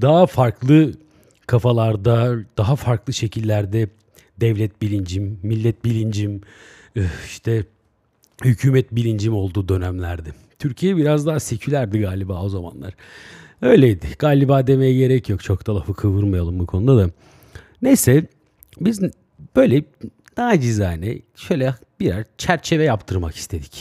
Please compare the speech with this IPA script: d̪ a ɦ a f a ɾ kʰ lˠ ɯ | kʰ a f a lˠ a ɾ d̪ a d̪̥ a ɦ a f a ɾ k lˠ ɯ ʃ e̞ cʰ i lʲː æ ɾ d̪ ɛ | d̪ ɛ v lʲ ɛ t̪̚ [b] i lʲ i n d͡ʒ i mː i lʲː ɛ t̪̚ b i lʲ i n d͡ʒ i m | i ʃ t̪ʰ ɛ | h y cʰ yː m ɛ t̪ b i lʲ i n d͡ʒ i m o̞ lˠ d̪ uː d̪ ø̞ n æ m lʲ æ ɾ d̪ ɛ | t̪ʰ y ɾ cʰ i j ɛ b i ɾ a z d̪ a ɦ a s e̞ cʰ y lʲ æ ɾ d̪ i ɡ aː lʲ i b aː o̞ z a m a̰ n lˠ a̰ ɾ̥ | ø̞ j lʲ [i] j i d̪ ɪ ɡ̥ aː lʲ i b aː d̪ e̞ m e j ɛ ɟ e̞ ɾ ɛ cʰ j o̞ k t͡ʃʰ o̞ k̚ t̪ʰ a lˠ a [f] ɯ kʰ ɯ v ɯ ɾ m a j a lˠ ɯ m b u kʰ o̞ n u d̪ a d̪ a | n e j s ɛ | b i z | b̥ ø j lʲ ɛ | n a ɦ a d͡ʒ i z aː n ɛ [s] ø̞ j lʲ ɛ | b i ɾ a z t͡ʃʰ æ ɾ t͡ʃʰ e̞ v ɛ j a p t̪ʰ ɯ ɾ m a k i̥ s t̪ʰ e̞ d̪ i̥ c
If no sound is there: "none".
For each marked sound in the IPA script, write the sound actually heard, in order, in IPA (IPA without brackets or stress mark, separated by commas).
b, e, f, ʃ